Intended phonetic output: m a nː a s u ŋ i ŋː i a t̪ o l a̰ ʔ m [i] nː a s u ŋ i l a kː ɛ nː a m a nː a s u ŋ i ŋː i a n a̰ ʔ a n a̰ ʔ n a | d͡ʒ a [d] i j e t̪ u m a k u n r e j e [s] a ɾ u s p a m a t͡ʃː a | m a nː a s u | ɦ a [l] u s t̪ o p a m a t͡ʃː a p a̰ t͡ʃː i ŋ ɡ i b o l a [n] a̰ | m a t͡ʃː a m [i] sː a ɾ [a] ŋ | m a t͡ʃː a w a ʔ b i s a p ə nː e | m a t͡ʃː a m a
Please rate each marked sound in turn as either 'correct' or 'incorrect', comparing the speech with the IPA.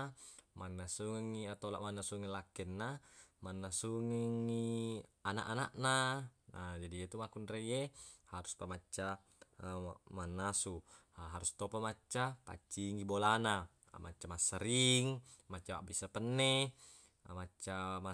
incorrect, correct, incorrect, incorrect, correct, incorrect, incorrect

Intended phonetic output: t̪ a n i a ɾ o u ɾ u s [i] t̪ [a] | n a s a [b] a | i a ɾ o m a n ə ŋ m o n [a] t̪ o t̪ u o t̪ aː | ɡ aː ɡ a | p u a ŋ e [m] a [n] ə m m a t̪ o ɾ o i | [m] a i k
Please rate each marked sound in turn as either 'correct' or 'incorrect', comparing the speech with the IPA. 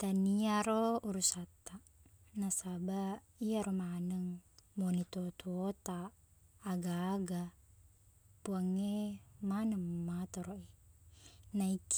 incorrect, correct, correct, incorrect, correct, correct, incorrect

